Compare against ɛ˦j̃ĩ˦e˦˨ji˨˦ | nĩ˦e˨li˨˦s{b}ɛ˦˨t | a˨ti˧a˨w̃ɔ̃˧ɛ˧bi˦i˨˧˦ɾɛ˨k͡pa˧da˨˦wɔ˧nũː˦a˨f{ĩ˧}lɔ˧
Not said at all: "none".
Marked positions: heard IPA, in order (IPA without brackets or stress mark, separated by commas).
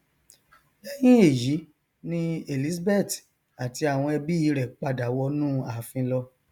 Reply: b, ĩ˧